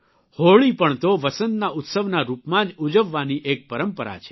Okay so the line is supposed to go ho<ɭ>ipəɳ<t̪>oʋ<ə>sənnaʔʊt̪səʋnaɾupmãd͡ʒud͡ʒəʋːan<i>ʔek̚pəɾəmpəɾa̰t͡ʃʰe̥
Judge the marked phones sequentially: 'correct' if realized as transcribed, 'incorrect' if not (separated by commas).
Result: correct, correct, correct, correct